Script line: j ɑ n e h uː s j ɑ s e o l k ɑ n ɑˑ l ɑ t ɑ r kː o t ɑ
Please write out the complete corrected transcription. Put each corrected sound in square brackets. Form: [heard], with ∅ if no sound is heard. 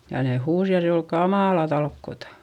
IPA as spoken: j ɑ n e h uː s j ɑ s e o l k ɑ [m] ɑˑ l ɑ t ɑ [l] kː o t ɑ